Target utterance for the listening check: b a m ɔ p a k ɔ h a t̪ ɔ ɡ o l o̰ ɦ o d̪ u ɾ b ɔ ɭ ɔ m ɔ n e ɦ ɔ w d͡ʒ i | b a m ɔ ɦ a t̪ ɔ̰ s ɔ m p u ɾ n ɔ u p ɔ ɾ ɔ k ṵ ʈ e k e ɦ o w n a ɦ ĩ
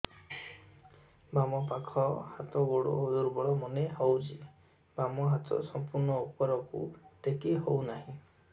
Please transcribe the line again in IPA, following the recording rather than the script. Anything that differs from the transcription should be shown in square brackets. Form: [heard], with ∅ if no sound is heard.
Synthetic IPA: b a m ɔ p a [kʰ] ɔ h a t̪ ɔ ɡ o [ɽ] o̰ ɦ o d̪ u ɾ b ɔ ɭ ɔ m ɔ n e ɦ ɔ w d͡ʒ i | b a m ɔ ɦ a t̪ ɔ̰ s ɔ m p u ɾ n ɔ u p ɔ ɾ ɔ k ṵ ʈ e k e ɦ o w n a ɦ ĩ

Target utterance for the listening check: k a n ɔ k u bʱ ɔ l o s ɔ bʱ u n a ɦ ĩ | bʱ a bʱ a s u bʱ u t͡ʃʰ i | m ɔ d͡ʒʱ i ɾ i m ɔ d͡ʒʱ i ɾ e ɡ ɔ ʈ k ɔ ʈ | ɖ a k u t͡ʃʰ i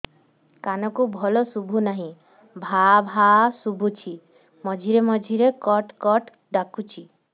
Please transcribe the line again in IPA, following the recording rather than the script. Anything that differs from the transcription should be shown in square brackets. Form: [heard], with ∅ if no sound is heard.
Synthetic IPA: k a n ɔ k u bʱ ɔ l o s [u] bʱ u n a ɦ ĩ | bʱ a bʱ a s u bʱ u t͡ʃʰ i | m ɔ d͡ʒʱ i ɾ [e] m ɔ d͡ʒʱ i ɾ e [k] ɔ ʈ k ɔ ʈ | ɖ a k u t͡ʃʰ i

